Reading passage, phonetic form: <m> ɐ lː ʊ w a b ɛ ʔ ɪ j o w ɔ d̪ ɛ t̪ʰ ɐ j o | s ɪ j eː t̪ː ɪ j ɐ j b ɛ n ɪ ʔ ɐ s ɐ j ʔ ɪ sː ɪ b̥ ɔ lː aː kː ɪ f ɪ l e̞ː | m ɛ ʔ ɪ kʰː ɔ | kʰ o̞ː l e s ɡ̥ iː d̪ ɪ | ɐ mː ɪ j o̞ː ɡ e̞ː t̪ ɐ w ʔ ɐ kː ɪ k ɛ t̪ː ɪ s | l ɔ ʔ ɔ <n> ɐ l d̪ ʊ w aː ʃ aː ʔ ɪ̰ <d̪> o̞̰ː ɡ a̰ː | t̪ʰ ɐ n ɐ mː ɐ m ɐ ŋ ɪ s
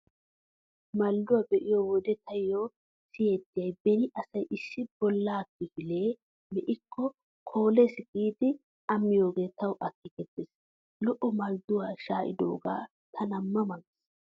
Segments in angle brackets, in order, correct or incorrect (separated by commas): correct, incorrect, correct